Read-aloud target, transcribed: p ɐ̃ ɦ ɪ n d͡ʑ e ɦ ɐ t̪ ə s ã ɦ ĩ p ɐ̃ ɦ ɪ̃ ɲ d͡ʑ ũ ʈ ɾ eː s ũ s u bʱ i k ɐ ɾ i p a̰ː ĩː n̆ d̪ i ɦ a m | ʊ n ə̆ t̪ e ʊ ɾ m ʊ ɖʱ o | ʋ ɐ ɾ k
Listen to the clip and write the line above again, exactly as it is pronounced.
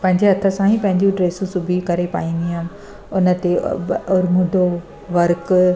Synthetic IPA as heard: p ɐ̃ ɦ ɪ ɲ d͡ʑ e ɦ ɐ t̪ʰ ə s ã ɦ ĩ p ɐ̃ ɦ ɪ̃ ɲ d͡ʑ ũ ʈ ɾ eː s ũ s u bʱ i k ɐ ɾ e p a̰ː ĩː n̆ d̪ i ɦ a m | ʊ n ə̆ t̪ e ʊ ɾ m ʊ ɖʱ o | ʋ ɐ ɾ k

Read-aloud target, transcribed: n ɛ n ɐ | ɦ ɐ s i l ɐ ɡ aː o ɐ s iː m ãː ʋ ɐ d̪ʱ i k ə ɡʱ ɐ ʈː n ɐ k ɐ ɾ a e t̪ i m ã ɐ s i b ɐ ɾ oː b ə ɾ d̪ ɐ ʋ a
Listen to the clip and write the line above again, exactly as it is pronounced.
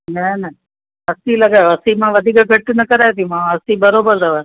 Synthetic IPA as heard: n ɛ n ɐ | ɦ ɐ s i l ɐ ɡ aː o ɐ s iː m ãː ʋ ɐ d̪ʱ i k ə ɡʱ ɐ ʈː n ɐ k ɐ ɾ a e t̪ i m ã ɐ s i b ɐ ɾ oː b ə ɾ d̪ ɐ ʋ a

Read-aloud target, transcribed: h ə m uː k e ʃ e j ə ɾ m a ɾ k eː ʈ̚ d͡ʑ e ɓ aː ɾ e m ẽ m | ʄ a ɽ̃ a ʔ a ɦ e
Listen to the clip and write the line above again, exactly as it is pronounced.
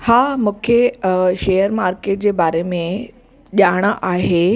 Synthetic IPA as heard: h a m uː kʰ e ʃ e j ə ɾ m a ɾ k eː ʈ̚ d͡ʑ e b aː ɾ e m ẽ | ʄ a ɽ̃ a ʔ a ɦ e

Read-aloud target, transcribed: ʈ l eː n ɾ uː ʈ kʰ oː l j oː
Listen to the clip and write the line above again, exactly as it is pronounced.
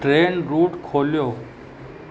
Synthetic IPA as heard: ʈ ɾ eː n ɾ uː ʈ kʰ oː l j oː

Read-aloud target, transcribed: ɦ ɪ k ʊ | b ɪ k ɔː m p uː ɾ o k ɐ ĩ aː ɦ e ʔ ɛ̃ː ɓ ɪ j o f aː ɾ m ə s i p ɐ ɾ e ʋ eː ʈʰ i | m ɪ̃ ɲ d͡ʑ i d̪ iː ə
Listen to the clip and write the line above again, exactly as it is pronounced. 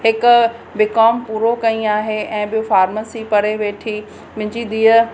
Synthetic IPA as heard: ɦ ɪ k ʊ | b ɪ k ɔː m p uː ɾ o k ɐ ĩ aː ɦ e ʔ ɛ̃ː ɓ ɪ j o f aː ɾ m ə s i p ɐ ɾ e ʋ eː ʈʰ i | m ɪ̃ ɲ d͡ʑ i d̪ iː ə

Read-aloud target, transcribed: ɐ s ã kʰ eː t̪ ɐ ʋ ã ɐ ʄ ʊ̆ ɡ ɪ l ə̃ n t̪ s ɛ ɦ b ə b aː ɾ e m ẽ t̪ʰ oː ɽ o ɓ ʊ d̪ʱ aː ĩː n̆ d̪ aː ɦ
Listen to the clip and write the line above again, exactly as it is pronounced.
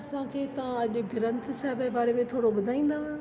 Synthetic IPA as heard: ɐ s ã kʰ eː t̪ ɐ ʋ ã ɐ ʄ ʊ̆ ɡ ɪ ɾ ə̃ n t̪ s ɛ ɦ b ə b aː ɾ e m ẽ t̪ʰ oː ɽ o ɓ ʊ d̪ʱ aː ĩː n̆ d̪ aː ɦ

